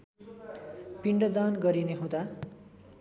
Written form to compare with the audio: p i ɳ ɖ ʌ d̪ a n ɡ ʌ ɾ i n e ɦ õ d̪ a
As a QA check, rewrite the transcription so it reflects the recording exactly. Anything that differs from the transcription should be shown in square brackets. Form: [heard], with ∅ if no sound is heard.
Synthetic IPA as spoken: p i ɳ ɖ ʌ d̪ a n ɡ ʌ ɾ i n e ɦ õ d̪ a